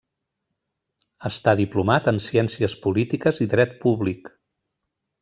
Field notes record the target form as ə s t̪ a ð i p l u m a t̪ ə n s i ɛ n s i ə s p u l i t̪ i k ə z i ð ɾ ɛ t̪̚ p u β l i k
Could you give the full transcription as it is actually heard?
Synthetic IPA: ə s t̪ a ð i p l u m a t̪ ə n s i ɛ n s i ə s p u l i t̪ i k ə z i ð ɾ ɛ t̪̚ p u β l i k